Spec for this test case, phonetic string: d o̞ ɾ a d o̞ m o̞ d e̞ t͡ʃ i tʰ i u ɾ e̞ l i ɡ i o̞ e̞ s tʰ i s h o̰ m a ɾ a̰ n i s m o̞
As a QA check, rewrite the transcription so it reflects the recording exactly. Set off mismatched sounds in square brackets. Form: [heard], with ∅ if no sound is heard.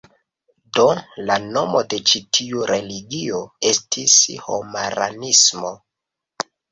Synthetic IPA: d o̞ [l] a [n] o̞ m o̞ d e̞ t͡ʃ i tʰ i u ɾ e̞ l i ɡ i o̞ e̞ s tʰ i s h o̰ m a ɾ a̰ n i s m o̞

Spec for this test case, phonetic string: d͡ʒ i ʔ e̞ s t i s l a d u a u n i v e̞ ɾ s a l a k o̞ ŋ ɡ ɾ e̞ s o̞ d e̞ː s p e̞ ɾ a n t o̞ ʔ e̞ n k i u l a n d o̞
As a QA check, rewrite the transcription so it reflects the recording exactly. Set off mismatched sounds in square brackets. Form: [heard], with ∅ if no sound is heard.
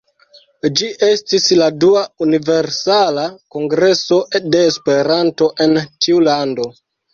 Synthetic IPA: d͡ʒ i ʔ e̞ s t i s l a d u a u n i v e̞ ɾ s a l a k o̞ ŋ ɡ ɾ e̞ s o̞ d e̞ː s p e̞ ɾ a n t o̞ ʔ e̞ n [t] i u l a n d o̞

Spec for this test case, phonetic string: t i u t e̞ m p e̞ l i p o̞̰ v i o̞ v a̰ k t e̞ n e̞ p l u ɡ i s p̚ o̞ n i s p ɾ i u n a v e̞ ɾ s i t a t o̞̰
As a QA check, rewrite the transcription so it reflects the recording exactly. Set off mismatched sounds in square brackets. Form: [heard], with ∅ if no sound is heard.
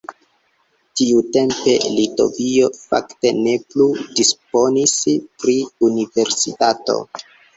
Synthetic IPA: t i u t e̞ m p e̞ l i [t] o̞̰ v i o̞ [f] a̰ k t e̞ n e̞ p l u [d] i s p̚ o̞ n i s p ɾ i u n [i] v e̞ ɾ s i t a t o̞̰

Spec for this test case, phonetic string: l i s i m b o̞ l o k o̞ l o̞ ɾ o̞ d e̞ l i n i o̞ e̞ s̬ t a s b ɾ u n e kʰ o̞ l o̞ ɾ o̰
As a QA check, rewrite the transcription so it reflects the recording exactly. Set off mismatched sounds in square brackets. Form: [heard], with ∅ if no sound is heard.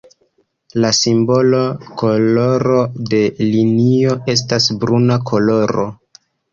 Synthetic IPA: l [a] s i m b o̞ l o k o̞ l o̞ ɾ o̞ d e̞ l i n i o̞ e̞ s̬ t a s b ɾ u n [a] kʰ o̞ l o̞ ɾ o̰

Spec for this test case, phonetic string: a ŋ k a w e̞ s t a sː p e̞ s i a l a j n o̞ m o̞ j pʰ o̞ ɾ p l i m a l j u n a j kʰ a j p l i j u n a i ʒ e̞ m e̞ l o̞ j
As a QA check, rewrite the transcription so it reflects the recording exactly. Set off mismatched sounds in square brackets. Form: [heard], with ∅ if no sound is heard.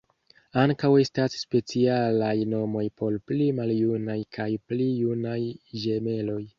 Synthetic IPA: a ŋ k a w e̞ s t a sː p e̞ [t͡s] i a l a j n o̞ m o̞ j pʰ o̞ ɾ p l i m a l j u n a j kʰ a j p l i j u n a [j] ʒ e̞ m e̞ l o̞ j

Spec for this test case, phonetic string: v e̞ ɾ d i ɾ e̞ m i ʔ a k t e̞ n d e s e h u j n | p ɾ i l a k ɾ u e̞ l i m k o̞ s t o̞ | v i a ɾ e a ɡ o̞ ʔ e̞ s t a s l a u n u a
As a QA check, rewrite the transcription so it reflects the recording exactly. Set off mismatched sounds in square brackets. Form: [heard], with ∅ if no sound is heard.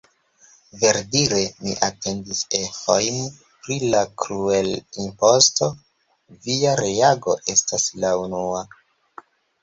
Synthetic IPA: v e̞ ɾ d i ɾ e̞ m i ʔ a [∅] t e̞ n d [i] s e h [o] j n | p ɾ i l a k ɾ u e̞ l i m [p] o̞ s t o̞ | v i a ɾ e a ɡ o̞ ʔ e̞ s t a s l a u n u a

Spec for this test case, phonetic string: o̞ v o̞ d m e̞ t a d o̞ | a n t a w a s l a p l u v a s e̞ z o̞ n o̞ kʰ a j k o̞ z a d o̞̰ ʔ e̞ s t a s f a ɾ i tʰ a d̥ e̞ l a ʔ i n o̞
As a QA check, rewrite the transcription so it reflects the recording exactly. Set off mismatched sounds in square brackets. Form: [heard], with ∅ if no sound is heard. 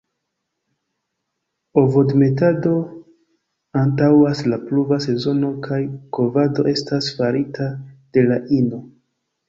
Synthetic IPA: o̞ v o̞ d m e̞ t a d o̞ | a n t a w a s l a p l u v a s e̞ z o̞ n o̞ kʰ a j k o̞ [v] a d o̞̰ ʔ e̞ s t a s f a ɾ i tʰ a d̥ e̞ l a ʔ i n o̞

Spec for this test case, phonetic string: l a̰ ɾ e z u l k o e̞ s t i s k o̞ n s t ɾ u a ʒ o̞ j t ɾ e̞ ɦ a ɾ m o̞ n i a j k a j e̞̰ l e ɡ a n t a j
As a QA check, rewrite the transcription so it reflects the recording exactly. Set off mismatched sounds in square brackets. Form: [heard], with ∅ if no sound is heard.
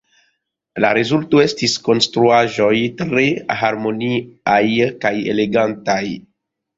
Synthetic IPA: l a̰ ɾ e z u l [t] o e̞ s t i s k o̞ n s t ɾ u a ʒ o̞ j t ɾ e̞ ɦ a ɾ m o̞ n i a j k a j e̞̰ l e ɡ a n t a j

